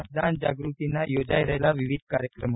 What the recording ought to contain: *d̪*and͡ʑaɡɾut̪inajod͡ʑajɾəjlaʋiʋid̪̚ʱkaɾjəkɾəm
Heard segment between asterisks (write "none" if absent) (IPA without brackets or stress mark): d̪